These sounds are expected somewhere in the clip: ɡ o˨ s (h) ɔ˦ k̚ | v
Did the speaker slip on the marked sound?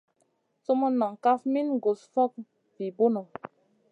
yes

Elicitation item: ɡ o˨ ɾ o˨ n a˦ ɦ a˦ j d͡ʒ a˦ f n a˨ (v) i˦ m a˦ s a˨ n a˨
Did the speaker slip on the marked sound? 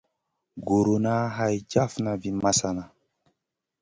no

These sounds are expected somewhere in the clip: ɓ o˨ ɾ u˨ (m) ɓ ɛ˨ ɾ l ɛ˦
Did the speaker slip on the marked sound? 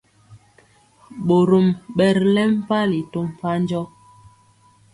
no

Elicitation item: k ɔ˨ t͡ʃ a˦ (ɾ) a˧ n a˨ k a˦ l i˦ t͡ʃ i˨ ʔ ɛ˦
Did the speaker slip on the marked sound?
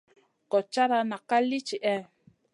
no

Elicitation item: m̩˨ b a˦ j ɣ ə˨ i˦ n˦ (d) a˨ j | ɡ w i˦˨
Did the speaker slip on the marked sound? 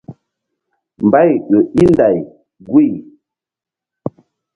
no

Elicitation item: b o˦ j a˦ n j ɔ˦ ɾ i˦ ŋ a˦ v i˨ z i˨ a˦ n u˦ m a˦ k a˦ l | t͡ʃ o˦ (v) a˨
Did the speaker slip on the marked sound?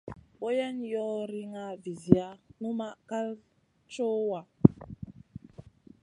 yes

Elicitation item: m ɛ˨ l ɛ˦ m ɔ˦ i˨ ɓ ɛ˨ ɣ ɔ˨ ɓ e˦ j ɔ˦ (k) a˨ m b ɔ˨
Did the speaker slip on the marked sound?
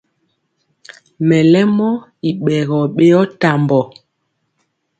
yes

